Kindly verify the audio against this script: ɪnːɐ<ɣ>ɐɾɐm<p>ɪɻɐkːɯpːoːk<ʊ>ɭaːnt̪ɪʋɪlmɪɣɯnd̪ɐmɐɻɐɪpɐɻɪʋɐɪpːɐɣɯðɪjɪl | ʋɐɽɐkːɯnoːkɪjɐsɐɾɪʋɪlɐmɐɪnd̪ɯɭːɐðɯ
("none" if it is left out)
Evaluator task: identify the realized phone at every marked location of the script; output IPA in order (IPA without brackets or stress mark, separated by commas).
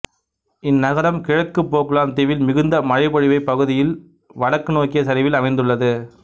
ɣ, k, ɯ